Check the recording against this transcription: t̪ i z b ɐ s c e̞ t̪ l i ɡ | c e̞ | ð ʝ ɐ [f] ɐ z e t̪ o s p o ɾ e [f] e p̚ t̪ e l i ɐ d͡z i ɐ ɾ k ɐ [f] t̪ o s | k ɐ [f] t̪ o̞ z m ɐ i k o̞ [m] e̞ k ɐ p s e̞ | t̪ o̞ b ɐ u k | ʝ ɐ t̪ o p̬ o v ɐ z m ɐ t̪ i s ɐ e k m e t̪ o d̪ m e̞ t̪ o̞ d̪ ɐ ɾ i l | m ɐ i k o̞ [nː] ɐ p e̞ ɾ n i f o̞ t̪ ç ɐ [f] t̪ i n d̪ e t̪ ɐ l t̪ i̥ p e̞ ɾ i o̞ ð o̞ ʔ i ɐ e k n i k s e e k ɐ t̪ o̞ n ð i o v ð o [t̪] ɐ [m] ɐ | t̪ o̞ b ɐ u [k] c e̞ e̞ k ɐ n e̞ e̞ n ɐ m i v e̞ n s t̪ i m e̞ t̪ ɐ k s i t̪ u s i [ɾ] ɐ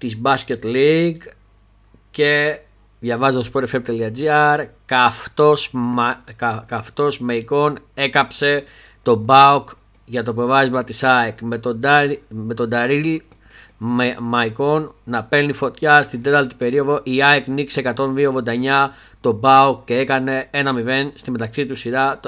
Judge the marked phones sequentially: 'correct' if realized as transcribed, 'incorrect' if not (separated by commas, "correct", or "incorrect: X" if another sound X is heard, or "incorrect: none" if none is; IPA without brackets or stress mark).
incorrect: v, correct, correct, correct, incorrect: n, correct, incorrect: s, incorrect: d̪, incorrect: ɲ, correct, correct